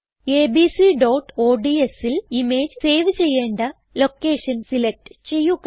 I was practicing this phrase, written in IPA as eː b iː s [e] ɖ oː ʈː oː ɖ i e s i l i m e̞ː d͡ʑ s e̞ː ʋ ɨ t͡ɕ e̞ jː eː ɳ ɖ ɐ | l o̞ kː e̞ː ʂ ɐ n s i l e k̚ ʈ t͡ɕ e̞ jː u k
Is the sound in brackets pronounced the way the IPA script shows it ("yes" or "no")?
no